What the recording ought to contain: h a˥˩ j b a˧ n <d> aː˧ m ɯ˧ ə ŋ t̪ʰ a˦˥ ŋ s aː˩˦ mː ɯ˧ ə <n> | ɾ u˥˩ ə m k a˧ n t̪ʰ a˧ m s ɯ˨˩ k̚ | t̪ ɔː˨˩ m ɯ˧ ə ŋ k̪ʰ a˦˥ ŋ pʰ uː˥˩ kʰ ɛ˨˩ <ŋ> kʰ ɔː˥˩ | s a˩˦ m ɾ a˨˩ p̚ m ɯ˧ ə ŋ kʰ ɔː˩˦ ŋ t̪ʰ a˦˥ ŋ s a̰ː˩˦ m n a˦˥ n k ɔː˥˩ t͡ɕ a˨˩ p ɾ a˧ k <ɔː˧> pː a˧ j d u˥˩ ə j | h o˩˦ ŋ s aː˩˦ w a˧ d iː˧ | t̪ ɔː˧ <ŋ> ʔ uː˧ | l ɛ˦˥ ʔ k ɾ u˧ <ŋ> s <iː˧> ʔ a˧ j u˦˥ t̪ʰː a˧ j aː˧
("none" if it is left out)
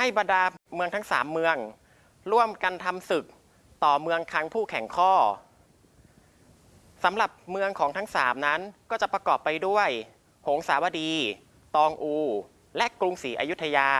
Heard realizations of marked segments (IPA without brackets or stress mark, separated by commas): d, ŋ, ŋ, ɔː˨˩, ŋ, ŋ, iː˩˦˥